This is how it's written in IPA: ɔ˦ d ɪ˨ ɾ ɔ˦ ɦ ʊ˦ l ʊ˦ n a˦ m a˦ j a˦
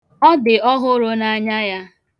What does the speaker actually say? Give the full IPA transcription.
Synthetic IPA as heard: ɔ˦ d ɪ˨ ɔ˦ ɦ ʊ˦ ɾ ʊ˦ n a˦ ɲ a˦ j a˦